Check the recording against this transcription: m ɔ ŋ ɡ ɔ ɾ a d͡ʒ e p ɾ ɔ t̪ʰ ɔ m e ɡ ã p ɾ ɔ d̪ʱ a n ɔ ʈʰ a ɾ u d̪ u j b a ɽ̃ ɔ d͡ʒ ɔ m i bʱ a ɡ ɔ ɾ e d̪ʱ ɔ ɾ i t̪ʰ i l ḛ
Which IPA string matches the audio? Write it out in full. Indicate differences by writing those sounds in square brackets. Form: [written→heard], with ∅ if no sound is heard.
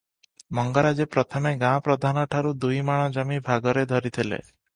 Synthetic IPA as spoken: m ɔ ŋ ɡ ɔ ɾ a d͡ʒ e p ɾ ɔ t̪ʰ ɔ m e ɡ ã p ɾ ɔ d̪ʱ a n ɔ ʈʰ a ɾ u d̪ u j [b→m] a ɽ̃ ɔ d͡ʒ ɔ m i bʱ a ɡ ɔ ɾ e d̪ʱ ɔ ɾ i t̪ʰ i l ḛ